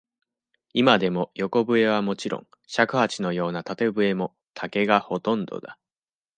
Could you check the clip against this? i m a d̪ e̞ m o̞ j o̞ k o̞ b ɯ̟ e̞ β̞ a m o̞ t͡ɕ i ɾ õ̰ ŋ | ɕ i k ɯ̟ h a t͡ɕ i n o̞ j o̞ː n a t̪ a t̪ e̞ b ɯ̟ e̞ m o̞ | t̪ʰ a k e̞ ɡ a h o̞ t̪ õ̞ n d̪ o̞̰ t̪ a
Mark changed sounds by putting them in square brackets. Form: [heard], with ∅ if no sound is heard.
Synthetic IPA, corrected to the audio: i m a d̪ e̞ m o̞ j o̞ k o̞ b ɯ̟ e̞ β̞ a m o̞ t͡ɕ i ɾ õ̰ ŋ | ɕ [a] k ɯ̟ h a t͡ɕ i n o̞ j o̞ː n a t̪ a t̪ e̞ b ɯ̟ e̞ m o̞ | t̪ʰ a k e̞ ɡ a h o̞ t̪ õ̞ n d̪ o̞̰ [d̪] a